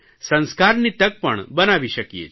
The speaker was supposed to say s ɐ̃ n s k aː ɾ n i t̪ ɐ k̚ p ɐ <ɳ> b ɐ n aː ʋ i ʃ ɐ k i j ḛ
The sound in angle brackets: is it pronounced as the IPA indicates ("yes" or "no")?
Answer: yes